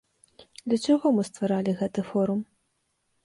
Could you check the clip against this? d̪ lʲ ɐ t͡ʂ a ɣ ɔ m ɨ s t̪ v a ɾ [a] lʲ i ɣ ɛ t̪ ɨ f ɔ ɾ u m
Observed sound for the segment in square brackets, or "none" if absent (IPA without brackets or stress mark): a